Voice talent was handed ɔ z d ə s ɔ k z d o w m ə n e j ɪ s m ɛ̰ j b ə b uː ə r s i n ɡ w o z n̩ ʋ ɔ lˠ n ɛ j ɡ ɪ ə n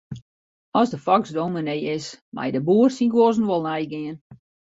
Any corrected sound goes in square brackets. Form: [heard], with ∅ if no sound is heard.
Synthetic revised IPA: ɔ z d ə [f] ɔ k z d o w m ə n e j ɪ s m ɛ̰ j [d] ə b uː ə r s i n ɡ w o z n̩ ʋ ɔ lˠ n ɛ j ɡ ɪ ə n